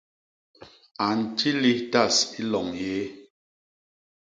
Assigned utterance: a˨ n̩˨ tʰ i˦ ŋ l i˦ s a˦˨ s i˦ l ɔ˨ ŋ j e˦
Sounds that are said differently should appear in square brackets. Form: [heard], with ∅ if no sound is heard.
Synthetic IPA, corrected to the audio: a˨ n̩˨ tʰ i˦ [∅] l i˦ [t] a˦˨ s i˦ l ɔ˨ ŋ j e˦